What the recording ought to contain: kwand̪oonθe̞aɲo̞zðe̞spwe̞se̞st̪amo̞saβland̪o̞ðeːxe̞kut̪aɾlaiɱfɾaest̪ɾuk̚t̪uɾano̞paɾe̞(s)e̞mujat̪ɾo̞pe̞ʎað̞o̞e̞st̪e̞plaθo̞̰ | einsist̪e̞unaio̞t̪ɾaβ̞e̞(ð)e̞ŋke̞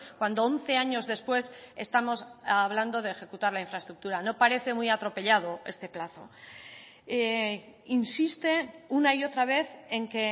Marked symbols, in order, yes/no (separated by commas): no, no